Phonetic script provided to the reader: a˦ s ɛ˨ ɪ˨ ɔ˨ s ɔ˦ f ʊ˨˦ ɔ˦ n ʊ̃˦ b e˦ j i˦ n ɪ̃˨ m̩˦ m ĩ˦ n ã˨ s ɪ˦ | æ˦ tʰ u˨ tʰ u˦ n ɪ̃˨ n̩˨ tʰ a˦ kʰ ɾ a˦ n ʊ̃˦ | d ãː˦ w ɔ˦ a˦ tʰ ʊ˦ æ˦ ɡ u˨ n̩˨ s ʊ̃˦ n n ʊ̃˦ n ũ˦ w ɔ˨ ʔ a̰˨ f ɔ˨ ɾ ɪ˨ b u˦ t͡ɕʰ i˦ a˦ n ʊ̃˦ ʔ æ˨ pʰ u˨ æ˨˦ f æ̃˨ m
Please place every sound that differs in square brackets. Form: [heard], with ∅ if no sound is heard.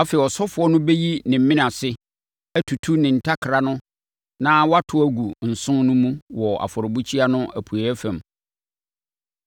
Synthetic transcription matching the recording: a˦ [f] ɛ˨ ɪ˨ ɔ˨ s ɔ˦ f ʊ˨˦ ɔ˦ n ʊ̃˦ b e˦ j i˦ n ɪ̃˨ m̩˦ m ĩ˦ n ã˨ s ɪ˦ | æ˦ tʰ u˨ tʰ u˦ n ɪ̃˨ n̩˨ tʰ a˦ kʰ ɾ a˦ n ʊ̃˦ | [n] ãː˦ w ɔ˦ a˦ tʰ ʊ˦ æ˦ ɡ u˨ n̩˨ s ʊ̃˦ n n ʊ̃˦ [m] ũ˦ w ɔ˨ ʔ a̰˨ f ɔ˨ ɾ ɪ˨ b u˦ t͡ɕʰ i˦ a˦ n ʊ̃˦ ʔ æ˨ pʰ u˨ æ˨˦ f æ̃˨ m